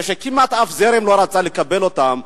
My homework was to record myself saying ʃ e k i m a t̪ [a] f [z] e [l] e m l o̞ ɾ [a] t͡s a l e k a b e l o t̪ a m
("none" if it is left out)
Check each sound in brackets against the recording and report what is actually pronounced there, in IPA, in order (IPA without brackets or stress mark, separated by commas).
a, z, ɾ, a